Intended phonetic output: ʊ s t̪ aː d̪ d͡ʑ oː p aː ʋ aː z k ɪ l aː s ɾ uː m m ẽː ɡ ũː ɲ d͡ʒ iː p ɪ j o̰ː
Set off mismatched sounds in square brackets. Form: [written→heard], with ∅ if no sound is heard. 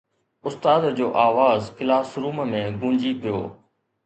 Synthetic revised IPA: ʊ s t̪ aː d̪ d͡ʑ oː [p→ʔ] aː ʋ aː z k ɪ l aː s ɾ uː m m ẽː ɡ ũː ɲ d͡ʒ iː p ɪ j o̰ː